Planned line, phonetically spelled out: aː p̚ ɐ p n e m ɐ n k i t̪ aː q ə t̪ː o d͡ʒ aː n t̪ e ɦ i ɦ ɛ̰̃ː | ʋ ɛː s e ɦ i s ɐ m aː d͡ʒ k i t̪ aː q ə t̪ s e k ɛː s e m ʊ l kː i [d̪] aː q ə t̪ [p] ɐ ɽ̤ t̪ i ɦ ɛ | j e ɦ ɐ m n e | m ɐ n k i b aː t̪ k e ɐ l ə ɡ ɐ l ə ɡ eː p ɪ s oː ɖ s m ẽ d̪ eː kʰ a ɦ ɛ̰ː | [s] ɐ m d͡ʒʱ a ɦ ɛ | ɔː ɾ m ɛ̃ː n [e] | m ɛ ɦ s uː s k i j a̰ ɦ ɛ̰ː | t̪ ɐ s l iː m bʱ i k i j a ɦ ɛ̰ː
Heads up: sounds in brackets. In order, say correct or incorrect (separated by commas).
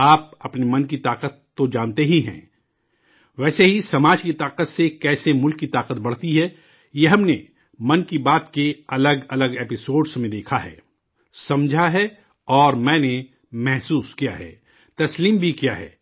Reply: incorrect, incorrect, correct, correct